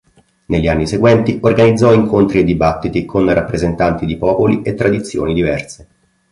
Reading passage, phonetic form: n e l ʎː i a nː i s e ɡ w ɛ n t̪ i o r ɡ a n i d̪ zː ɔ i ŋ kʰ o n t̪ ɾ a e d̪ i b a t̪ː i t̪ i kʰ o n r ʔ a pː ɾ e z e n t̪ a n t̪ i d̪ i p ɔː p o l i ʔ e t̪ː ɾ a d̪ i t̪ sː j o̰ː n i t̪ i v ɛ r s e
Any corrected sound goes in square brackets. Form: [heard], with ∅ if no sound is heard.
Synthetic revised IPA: n e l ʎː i a nː i s e ɡ w ɛ n t̪ i o r ɡ a n i d̪ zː ɔ i ŋ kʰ o n t̪ ɾ [i] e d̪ i b a t̪ː i t̪ i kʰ o n r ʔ a pː ɾ e z e n t̪ a n t̪ i d̪ i p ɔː p o l i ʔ e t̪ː ɾ a d̪ i t̪ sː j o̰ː n i [d̪] i v ɛ r s e